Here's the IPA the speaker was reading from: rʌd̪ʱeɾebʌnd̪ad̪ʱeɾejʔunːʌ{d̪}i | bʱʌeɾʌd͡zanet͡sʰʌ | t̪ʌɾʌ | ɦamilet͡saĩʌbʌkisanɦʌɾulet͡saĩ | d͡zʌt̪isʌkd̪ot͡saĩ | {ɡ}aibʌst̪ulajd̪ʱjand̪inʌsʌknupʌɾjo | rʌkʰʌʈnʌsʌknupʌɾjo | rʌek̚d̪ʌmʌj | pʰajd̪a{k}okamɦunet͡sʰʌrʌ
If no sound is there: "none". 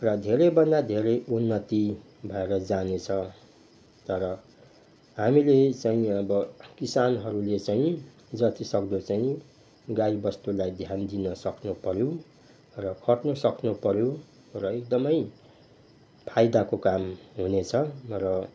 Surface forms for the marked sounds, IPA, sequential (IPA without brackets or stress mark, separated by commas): t̪, ɡ, k